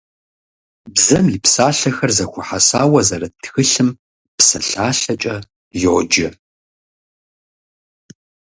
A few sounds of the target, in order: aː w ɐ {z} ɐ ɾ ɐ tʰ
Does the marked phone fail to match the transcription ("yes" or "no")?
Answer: no